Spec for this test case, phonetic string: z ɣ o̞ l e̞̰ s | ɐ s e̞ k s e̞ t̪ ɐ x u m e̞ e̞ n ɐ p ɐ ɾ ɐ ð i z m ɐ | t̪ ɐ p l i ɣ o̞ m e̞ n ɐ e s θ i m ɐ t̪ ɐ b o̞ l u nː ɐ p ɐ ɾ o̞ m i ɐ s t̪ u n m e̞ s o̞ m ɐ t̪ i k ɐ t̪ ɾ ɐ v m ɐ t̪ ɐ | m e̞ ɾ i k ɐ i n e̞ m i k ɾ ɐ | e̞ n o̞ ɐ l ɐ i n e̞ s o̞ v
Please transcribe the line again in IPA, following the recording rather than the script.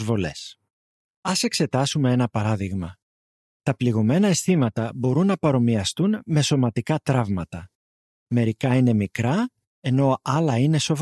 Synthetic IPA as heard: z v o̞ l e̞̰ s | ɐ s e̞ k s e̞ t̪ ɐ s u m e̞ e̞ n ɐ p ɐ ɾ ɐ ð i ɣ m ɐ | t̪ ɐ p l i ɣ o̞ m e̞ n ɐ e s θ i m ɐ t̪ ɐ b o̞ ɾ u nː ɐ p ɐ ɾ o̞ m i ɐ s t̪ u n m e̞ s o̞ m ɐ t̪ i k ɐ t̪ ɾ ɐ v m ɐ t̪ ɐ | m e̞ ɾ i k ɐ i n e̞ m i k ɾ ɐ | e̞ n o̞ ɐ l ɐ i n e̞ s o̞ v